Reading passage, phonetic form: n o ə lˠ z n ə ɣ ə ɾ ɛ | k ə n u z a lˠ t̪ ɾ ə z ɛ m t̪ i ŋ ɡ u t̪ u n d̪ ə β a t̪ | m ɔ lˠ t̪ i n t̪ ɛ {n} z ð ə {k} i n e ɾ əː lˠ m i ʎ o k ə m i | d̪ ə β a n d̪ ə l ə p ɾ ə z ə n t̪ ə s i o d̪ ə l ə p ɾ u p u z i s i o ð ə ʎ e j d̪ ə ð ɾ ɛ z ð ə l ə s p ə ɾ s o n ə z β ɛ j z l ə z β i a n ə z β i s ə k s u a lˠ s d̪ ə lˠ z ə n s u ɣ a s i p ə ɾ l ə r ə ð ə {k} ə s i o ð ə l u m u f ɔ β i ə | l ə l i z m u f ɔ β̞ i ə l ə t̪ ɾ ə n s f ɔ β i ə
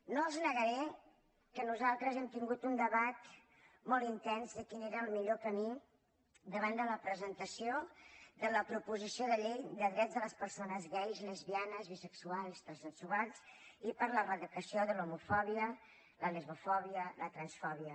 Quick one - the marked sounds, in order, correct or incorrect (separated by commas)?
correct, correct, correct